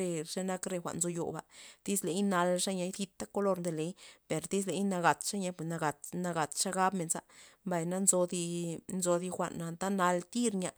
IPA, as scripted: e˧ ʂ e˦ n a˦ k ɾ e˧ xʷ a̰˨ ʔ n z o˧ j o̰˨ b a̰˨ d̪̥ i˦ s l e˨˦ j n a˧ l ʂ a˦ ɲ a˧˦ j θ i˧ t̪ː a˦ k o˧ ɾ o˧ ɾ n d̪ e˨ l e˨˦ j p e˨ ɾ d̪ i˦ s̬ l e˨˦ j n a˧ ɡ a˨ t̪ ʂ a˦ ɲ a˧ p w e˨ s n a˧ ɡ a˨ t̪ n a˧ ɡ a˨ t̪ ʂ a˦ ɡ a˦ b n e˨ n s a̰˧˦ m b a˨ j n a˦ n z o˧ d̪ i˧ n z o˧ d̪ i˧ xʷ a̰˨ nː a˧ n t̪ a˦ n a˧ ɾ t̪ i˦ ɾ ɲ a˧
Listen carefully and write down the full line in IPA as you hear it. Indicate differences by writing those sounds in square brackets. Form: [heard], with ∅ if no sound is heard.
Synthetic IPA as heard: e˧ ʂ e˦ n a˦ k ɾ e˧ xʷ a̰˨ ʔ n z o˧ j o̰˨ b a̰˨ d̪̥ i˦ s l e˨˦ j n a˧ l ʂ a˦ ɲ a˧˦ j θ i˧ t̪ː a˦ k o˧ [l] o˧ ɾ n d̪ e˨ l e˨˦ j p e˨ ɾ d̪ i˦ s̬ l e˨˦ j n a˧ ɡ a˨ t̪ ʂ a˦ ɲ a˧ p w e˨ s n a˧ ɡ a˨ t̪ n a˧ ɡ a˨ t̪ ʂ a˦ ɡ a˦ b [m] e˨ n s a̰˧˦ m b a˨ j n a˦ n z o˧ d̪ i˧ n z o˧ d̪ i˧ xʷ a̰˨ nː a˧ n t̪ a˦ n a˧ [l] t̪ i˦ ɾ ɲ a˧